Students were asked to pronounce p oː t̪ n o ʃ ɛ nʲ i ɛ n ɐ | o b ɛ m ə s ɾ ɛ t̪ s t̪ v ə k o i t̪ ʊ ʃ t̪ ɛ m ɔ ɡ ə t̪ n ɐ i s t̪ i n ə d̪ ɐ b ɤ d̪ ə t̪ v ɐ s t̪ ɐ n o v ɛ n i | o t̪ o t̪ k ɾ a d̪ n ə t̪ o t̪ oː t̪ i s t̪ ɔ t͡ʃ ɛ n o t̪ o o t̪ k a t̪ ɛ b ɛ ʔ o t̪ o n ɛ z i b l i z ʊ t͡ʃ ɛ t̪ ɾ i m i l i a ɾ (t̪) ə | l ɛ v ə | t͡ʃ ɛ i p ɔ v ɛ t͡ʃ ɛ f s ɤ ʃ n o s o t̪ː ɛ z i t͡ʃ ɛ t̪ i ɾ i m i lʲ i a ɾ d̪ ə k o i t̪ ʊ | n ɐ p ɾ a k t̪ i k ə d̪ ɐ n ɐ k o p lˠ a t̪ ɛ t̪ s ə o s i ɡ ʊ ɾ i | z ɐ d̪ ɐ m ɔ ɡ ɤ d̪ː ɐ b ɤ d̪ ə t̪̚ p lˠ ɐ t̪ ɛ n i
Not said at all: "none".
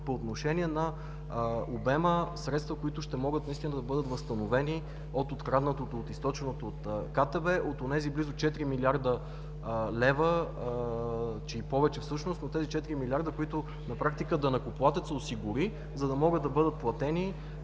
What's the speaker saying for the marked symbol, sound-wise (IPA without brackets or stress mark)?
d̪